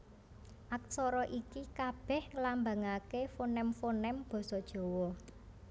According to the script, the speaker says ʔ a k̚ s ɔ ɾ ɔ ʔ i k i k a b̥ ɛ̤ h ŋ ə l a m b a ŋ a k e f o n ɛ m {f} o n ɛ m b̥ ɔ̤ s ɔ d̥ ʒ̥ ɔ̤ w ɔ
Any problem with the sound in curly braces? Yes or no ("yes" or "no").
no